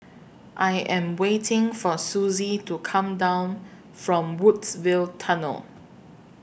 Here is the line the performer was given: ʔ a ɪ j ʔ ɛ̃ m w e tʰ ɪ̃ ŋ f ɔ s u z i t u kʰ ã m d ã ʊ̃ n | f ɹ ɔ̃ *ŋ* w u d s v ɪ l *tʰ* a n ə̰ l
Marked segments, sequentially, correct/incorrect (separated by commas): incorrect, correct